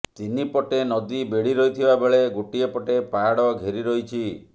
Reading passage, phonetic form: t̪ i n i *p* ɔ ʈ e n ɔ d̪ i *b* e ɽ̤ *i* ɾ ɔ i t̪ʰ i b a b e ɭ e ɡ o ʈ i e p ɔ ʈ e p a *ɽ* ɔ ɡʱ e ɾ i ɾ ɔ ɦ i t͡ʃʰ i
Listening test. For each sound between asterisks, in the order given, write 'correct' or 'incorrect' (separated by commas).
correct, correct, correct, correct